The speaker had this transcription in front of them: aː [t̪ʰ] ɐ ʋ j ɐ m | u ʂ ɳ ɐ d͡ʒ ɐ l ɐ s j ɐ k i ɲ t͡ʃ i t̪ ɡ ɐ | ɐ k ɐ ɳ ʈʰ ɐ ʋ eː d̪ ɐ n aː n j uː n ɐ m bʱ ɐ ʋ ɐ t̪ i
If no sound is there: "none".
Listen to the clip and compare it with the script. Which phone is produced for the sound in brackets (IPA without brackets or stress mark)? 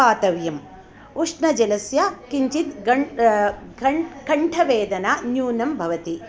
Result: t̪